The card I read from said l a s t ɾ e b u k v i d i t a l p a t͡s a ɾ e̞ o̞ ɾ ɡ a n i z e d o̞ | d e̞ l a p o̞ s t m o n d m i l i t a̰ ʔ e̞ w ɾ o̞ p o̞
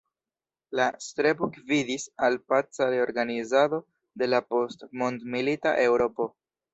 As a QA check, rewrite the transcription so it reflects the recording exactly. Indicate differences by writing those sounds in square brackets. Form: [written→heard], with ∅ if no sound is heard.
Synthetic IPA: l a s t ɾ e b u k v i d i [t→s] a l p a t͡s a ɾ e̞ o̞ ɾ ɡ a n i z [e→a] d o̞ | d e̞ l a p o̞ s t m o n d m i l i t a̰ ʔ e̞ w ɾ o̞ p o̞